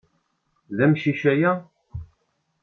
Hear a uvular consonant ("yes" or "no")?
no